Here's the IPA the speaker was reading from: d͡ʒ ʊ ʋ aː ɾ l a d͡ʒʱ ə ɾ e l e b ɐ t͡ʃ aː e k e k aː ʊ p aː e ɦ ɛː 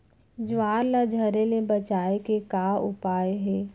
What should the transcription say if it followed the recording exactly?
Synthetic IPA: d͡ʒ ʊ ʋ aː ɾ l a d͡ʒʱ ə ɾ e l e b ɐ t͡ʃ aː e k e k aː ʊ p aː e ɦ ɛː